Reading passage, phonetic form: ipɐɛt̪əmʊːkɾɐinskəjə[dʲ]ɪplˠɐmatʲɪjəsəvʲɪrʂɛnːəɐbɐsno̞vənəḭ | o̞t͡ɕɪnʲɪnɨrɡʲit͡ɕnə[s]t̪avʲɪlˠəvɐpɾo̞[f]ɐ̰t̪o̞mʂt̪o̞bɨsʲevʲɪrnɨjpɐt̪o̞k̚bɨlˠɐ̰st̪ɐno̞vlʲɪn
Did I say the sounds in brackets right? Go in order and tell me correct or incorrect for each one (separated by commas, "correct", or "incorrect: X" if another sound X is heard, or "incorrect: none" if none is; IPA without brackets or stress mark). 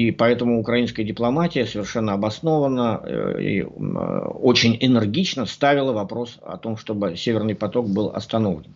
correct, correct, incorrect: s